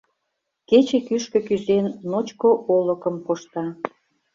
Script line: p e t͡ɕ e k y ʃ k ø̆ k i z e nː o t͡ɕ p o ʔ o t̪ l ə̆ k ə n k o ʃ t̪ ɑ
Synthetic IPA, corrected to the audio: k e t͡ɕ e k y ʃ k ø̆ k y z e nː o t͡ɕ k o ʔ o l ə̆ k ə m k o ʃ t̪ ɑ